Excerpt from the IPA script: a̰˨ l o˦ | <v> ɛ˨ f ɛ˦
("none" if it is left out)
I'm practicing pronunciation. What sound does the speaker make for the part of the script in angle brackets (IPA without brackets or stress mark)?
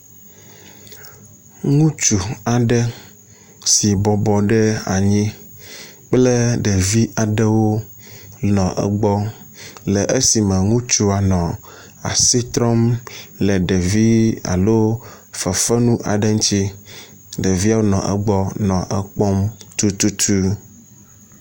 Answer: f